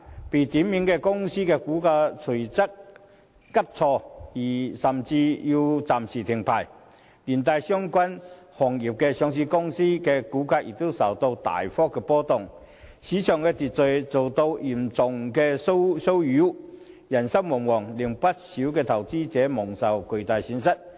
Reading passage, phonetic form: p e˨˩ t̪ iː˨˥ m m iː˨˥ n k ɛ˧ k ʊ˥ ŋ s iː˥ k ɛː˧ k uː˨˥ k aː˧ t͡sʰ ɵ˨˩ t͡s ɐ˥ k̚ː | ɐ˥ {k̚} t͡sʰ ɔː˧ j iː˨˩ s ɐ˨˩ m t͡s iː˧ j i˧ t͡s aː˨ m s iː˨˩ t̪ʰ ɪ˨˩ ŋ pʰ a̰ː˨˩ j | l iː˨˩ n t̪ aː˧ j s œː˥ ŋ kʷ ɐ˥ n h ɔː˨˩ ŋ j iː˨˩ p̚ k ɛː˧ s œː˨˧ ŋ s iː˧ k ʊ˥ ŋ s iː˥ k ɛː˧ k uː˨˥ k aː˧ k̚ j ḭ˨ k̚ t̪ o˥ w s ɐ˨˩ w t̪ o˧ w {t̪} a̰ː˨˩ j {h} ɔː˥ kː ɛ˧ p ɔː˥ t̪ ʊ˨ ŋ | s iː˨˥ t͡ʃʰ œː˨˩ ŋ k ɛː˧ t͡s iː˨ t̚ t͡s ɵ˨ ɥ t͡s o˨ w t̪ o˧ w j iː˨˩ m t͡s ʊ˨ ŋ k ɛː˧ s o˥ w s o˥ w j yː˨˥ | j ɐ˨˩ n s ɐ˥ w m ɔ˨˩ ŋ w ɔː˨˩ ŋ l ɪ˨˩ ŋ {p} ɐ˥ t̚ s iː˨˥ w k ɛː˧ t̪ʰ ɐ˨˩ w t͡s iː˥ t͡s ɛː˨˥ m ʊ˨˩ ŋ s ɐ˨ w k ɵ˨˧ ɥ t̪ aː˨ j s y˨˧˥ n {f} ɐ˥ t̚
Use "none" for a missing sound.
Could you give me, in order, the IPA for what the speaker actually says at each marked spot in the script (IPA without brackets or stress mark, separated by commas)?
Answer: p̚, t̪, f, p, s